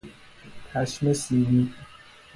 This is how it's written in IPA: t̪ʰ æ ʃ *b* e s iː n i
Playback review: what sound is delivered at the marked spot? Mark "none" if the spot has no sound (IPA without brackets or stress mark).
m